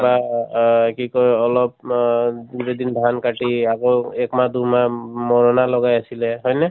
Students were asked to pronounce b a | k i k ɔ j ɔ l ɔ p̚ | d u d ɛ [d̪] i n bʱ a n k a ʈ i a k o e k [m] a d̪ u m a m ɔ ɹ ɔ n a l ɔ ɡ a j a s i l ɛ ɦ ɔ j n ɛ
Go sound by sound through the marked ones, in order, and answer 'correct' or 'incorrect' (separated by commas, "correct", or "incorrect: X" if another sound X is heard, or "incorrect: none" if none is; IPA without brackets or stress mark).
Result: correct, correct